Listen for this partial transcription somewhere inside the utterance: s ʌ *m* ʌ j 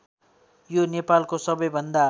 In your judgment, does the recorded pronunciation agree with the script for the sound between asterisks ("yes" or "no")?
no